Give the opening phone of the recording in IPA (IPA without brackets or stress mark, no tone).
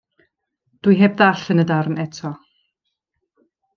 d̥